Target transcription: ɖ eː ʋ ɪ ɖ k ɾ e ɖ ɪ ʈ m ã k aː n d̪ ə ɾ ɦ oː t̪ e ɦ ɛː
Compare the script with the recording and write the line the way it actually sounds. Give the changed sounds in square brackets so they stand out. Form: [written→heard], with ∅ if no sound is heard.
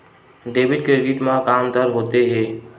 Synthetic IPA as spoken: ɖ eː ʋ ɪ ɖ k ɾ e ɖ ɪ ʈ m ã k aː [n→m] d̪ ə ɾ ɦ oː t̪ e ɦ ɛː